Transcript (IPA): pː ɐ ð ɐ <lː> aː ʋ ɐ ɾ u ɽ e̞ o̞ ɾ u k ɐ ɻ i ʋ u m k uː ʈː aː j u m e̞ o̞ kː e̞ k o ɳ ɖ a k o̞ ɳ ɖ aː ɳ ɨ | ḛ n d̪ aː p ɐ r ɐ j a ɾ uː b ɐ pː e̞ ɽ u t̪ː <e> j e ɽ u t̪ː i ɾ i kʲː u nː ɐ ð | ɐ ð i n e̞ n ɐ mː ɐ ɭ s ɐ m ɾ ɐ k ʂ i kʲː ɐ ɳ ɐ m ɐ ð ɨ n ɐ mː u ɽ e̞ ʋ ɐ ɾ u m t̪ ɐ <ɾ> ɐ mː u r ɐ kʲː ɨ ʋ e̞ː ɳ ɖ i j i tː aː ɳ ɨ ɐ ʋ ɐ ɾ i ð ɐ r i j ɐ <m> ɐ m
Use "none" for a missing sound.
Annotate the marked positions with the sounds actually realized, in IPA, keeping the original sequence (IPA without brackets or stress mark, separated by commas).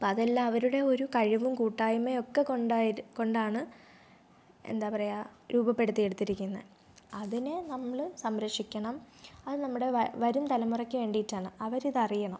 lː, i, l, ɳ